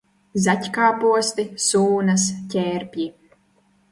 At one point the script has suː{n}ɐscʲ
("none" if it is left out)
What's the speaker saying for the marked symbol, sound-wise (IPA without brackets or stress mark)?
n